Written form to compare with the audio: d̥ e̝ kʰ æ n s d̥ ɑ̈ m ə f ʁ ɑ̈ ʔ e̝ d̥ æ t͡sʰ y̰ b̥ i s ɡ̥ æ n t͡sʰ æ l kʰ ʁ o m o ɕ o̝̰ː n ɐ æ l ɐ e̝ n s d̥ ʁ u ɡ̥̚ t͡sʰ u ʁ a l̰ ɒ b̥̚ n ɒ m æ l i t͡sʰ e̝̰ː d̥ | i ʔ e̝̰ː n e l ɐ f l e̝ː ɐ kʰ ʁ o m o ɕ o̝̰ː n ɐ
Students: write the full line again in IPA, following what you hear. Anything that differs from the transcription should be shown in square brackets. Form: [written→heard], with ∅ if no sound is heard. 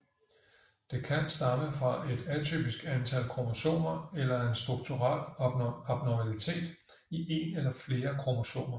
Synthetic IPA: d̥ e̝ kʰ æ n s d̥ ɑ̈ m ə f ʁ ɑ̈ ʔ e̝ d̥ æ t͡sʰ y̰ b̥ i s ɡ̥ æ n t͡sʰ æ l kʰ ʁ o m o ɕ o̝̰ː n ɐ [æ→e] l ɐ e̝ n s d̥ ʁ u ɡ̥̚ t͡sʰ u ʁ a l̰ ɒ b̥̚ n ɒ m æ l i t͡sʰ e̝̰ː d̥ | i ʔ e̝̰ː n e l ɐ f l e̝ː ɐ kʰ ʁ o m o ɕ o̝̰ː n ɐ

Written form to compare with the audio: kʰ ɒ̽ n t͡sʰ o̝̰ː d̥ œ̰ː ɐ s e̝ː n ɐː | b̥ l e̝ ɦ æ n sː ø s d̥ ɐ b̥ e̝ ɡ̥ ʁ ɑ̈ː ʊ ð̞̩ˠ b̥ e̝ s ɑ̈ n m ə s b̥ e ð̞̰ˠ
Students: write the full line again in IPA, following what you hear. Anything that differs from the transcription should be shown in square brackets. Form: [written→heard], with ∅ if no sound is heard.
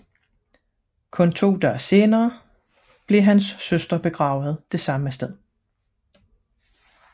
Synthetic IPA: kʰ [ɒ̽→ɔ̽] n t͡sʰ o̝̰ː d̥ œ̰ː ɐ s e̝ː n ɐː | b̥ l e̝ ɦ æ n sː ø s d̥ ɐ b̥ e̝ ɡ̥ ʁ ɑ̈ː ʊ ð̞̩ˠ [b̥→d̥] e̝ s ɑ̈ [n→∅] m ə s [b̥→d̥] e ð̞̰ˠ

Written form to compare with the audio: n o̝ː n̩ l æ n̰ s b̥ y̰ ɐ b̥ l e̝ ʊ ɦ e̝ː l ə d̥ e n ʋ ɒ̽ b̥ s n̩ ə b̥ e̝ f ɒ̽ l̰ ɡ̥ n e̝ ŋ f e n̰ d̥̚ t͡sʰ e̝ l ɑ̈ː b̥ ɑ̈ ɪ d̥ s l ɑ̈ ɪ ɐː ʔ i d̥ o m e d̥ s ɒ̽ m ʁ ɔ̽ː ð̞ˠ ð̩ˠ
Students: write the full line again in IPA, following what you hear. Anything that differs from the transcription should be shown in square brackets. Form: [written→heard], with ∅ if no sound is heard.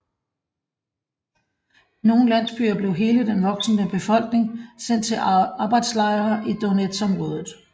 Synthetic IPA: n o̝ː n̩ l æ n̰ s b̥ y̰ ɐ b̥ l e̝ ʊ ɦ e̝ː l ə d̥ e n ʋ ɒ̽ [b̥→ɡ̥] s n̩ ə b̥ e̝ f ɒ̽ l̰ ɡ̥ n e̝ ŋ [f→s] e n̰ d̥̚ t͡sʰ e̝ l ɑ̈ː b̥ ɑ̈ ɪ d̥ s l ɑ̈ ɪ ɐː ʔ i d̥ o [m→n] e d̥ s ɒ̽ m ʁ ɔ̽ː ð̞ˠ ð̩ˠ

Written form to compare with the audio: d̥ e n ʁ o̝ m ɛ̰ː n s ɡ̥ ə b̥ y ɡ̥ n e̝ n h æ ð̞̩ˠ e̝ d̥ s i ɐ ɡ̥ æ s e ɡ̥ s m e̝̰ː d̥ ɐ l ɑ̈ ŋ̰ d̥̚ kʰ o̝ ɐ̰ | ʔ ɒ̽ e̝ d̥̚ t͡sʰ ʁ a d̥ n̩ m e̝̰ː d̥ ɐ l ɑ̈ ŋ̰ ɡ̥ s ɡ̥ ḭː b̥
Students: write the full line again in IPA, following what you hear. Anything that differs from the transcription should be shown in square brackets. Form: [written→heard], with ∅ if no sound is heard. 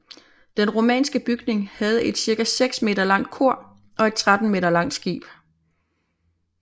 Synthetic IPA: d̥ e n ʁ o̝ m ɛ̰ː n s ɡ̥ ə b̥ y ɡ̥ n e̝ [n→ŋ] h æ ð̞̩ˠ e̝ d̥ s i ɐ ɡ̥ æ s e ɡ̥ s m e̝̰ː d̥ ɐ l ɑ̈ ŋ̰ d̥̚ kʰ o̝ ɐ̰ | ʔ ɒ̽ e̝ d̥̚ t͡sʰ ʁ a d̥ n̩ m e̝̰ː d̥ ɐ l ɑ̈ ŋ̰ [ɡ̥→d̥] s ɡ̥ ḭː b̥

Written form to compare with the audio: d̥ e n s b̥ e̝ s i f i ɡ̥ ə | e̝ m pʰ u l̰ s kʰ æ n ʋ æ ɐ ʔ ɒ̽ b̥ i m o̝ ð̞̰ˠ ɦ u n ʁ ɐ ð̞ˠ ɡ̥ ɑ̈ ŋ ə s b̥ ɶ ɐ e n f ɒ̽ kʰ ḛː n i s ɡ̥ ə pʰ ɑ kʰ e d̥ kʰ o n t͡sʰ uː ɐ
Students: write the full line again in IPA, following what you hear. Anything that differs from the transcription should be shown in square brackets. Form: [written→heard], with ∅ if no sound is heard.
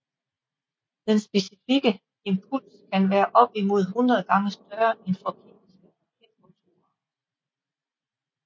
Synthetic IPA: d̥ e n s b̥ e̝ s i f i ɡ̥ ə | e̝ m pʰ u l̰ s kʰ æ n ʋ [æ→æː] ɐ ʔ ɒ̽ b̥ i m o̝ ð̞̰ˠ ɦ u n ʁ ɐ ð̞ˠ ɡ̥ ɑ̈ ŋ ə s [b̥→d̥] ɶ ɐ e n f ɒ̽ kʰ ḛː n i s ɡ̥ ə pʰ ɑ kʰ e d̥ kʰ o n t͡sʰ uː ɐ

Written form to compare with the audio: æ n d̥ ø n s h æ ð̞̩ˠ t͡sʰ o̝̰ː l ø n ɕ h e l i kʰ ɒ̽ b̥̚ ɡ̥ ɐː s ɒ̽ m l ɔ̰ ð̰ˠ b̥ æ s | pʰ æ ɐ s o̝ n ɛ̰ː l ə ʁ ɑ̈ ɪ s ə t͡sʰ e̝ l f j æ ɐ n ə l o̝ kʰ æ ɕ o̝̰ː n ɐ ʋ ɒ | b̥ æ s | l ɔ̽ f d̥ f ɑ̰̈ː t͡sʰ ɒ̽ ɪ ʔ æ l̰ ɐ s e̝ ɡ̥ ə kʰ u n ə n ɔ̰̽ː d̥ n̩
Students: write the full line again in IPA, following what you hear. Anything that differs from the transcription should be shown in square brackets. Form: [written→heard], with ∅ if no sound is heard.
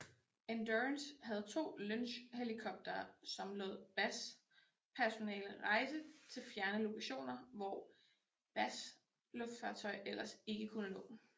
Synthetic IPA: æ n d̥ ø n s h æ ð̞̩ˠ t͡sʰ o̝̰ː l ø n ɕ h e l i kʰ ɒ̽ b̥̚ [ɡ̥→d̥] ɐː s ɒ̽ m l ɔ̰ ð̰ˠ b̥ æ s | pʰ æ ɐ s o̝ n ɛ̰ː l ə ʁ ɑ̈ ɪ s ə t͡sʰ e̝ l f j æ ɐ n ə l o̝ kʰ æ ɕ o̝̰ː n ɐ ʋ ɒ | b̥ æ s | l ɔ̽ f d̥ f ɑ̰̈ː t͡sʰ ɒ̽ ɪ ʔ [æ→e] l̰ ɐ s e̝ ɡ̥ ə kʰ u n ə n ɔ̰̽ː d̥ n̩

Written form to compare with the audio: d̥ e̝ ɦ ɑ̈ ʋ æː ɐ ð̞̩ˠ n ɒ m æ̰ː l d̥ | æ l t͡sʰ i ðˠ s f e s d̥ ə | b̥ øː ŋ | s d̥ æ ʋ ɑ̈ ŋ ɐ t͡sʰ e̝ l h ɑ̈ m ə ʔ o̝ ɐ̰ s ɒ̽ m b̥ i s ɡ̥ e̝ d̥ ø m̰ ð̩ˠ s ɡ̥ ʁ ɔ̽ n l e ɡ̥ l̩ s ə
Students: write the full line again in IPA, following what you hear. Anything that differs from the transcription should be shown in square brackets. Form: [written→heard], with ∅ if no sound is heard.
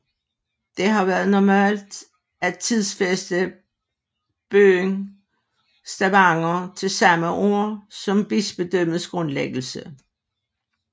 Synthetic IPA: d̥ e̝ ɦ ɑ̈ ʋ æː ɐ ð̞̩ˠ n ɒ m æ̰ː l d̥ | æ [l→∅] t͡sʰ i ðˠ s f e s d̥ ə | b̥ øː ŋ | s d̥ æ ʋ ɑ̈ ŋ ɐ t͡sʰ e̝ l [h→s] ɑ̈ m ə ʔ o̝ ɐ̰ s ɒ̽ m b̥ i s [ɡ̥→b̥] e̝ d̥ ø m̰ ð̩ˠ s ɡ̥ ʁ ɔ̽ n l e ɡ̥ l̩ s ə

